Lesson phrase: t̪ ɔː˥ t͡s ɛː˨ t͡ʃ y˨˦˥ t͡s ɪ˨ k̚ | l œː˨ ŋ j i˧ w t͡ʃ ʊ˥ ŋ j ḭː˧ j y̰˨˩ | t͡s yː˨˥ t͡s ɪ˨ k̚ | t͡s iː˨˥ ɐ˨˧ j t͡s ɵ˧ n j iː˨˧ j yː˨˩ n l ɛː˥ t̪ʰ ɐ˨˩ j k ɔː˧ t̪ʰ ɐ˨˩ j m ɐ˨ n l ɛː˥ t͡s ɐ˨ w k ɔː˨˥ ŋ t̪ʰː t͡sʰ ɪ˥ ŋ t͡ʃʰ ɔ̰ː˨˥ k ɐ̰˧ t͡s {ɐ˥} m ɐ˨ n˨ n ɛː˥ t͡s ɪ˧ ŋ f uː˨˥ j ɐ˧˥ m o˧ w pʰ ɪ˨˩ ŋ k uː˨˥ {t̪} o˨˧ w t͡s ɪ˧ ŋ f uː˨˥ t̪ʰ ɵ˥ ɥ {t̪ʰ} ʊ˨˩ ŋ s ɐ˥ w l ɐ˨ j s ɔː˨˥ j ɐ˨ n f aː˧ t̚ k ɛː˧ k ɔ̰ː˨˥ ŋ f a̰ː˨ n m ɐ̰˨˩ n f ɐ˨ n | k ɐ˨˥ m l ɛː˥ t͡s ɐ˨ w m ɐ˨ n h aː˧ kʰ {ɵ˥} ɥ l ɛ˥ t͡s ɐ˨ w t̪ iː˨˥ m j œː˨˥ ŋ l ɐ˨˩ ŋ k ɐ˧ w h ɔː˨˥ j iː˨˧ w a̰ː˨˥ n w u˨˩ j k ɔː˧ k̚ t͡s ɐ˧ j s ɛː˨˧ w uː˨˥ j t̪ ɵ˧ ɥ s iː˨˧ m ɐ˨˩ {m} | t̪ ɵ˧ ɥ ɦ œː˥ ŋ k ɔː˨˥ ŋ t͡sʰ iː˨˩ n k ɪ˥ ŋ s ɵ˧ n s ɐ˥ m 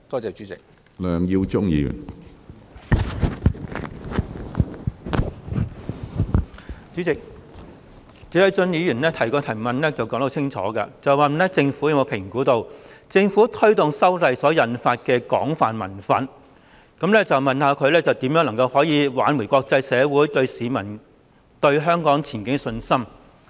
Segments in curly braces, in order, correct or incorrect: incorrect: ɐ˨, correct, incorrect: t̪, incorrect: ɵ˨˧, incorrect: n

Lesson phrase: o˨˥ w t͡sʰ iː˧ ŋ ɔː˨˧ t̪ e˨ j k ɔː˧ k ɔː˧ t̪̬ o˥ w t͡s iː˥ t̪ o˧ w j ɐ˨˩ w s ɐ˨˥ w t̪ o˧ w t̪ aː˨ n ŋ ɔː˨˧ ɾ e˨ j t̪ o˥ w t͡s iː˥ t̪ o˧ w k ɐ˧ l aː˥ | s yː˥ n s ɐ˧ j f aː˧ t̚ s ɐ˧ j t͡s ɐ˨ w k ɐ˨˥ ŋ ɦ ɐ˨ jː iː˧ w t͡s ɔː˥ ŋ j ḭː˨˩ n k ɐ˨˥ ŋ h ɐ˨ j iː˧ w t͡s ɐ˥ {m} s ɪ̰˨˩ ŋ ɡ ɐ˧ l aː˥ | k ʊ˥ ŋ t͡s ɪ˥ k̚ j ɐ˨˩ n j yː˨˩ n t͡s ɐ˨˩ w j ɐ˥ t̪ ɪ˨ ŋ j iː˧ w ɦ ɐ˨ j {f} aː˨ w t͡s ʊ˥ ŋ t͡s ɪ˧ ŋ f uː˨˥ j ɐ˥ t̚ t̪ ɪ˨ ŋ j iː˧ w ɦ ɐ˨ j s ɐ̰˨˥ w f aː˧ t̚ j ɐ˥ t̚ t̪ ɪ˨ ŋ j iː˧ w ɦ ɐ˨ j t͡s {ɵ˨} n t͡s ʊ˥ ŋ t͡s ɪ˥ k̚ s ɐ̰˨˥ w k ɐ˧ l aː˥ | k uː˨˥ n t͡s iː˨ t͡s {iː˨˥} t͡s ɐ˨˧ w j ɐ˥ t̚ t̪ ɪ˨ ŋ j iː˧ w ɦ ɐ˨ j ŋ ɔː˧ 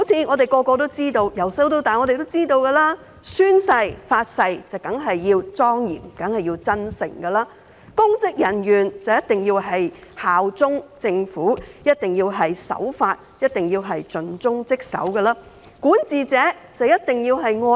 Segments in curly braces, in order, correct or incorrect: incorrect: n, incorrect: h, correct, incorrect: ɛː˨˥

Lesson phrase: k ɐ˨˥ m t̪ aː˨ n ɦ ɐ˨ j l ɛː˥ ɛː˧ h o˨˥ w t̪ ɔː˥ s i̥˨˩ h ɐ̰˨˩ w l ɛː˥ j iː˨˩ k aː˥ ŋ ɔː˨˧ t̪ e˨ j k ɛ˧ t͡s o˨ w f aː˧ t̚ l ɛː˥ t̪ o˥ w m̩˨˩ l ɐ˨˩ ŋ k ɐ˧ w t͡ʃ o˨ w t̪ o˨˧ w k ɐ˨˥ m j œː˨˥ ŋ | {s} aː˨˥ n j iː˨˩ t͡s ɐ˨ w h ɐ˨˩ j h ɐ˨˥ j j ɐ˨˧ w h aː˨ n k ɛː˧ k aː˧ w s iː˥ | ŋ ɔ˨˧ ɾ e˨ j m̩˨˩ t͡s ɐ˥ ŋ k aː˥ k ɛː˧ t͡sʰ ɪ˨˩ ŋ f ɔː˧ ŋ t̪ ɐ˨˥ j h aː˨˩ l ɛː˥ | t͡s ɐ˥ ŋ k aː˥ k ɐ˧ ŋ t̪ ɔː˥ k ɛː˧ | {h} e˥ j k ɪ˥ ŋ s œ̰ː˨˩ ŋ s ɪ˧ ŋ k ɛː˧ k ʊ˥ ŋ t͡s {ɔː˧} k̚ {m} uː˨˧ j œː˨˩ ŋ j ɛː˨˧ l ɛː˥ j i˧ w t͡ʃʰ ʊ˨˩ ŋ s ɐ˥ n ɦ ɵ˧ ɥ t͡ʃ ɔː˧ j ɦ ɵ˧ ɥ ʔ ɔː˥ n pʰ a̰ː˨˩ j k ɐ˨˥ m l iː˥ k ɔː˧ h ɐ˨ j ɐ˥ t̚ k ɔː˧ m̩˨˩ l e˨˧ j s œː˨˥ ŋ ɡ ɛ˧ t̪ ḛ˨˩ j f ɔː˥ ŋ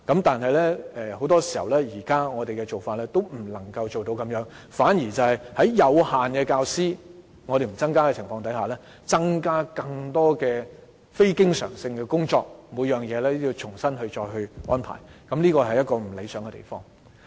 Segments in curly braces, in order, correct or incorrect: incorrect: f, incorrect: f, correct, correct

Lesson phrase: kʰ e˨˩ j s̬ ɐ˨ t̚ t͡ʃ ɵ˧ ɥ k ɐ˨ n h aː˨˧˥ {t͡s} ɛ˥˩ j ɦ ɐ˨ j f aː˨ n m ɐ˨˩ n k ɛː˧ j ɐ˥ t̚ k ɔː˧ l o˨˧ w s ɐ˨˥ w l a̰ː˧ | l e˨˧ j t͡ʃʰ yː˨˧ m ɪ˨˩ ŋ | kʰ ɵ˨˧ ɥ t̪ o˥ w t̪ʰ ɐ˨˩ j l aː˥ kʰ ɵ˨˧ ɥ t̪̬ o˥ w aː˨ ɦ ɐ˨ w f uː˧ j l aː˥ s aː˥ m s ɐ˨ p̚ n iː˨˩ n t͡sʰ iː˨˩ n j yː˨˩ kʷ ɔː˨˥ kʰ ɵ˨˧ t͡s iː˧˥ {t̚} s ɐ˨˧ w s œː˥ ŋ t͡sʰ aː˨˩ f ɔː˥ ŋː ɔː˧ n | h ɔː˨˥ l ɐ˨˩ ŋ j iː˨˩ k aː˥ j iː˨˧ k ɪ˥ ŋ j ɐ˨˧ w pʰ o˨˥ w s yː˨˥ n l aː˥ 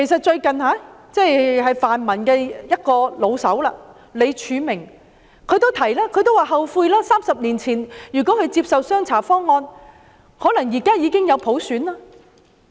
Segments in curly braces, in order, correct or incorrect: correct, incorrect: p̚

